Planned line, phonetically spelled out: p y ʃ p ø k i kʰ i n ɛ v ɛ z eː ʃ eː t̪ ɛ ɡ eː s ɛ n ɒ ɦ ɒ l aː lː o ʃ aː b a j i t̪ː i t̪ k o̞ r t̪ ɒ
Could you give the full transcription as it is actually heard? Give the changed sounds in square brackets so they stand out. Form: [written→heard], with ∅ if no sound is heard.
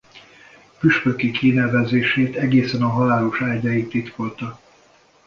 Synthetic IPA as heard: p y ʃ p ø k i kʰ i n ɛ v ɛ z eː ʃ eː t̪ ɛ ɡ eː s ɛ n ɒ ɦ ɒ l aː [lː→l] o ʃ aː [b→ɟ] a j i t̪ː i t̪ k o̞ [r→l] t̪ ɒ